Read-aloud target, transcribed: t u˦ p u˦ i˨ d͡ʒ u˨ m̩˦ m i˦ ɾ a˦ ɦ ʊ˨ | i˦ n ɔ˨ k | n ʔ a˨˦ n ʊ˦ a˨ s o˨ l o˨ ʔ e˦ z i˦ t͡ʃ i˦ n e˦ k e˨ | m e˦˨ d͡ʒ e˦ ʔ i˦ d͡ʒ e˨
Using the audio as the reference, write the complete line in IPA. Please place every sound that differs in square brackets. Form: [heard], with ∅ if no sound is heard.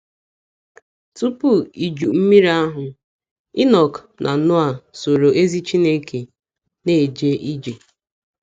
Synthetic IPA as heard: t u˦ p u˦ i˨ d͡ʒ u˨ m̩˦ m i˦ ɾ a˦ ɦ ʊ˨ | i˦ n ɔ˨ k | n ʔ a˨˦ n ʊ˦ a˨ s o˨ [ɾ] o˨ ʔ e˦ z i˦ t͡ʃ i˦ n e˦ k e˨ | [n] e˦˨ d͡ʒ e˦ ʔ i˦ d͡ʒ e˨